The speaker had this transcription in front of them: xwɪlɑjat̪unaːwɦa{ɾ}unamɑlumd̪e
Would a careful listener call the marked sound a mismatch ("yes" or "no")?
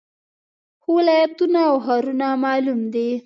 no